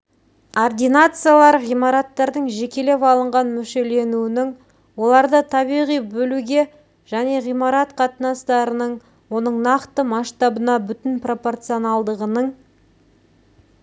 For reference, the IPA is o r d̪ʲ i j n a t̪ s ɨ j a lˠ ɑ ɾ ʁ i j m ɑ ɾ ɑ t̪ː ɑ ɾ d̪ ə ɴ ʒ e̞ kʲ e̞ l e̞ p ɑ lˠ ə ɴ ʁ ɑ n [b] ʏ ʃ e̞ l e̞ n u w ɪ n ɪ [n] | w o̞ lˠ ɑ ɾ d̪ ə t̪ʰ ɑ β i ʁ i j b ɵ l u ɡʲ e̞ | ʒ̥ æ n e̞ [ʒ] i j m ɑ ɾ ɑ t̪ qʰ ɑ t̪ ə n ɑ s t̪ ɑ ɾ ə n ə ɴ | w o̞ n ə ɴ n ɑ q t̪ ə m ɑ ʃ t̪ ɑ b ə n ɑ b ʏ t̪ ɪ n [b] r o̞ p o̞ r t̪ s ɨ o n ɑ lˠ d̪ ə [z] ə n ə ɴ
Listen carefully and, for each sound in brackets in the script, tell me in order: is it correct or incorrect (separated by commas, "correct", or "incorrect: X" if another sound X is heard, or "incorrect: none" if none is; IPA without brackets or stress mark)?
incorrect: m, incorrect: ŋ, incorrect: ʁ, incorrect: p, incorrect: ʁ